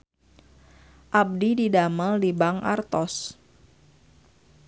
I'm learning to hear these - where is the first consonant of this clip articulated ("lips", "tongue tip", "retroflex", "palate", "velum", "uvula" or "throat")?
throat